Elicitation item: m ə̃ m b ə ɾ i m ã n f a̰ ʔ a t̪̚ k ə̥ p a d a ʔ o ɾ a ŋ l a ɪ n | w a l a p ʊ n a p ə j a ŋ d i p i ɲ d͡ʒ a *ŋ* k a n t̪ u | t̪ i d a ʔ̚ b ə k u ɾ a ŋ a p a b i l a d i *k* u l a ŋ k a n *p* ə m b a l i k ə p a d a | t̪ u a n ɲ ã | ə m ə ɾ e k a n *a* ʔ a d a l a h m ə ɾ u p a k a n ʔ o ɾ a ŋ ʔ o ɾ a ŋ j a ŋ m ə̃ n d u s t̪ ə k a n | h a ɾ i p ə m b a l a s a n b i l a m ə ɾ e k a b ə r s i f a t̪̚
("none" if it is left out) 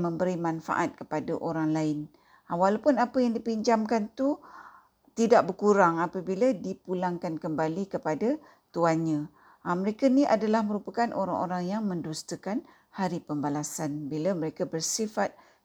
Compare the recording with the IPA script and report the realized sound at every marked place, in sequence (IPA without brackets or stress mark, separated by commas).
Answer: m, p, k, i